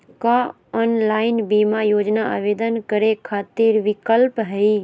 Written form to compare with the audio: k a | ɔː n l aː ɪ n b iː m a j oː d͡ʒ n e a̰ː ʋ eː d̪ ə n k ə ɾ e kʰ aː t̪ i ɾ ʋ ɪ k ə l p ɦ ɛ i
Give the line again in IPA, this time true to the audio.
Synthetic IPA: k a | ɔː n l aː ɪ n b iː m a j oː d͡ʒ n a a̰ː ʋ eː d̪ ə n k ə ɾ e kʰ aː t̪ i ɾ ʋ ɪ k ə l p ɦ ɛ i